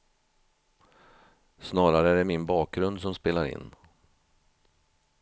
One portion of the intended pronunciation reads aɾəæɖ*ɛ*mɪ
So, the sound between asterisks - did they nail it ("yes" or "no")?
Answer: yes